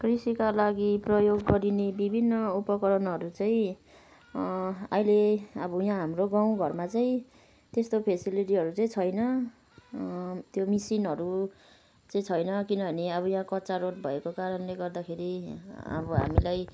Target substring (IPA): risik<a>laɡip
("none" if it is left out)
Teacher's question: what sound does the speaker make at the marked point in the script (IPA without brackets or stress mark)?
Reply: a